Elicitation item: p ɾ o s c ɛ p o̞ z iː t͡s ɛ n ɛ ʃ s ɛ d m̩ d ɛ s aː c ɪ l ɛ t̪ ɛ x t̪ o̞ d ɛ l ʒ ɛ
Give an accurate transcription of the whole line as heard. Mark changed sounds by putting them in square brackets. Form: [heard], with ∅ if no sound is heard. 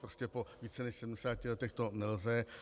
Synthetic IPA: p ɾ o s c ɛ p o̞ [v] iː t͡s ɛ n ɛ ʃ s ɛ d m̩ d ɛ s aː c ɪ l ɛ t̪ ɛ x t̪ o̞ [n] ɛ l [z] ɛ